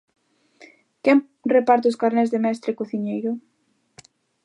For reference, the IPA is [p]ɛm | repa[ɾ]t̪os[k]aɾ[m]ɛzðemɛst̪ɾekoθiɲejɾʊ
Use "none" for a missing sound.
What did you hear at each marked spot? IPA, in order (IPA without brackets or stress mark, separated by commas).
k, ɾ, k, n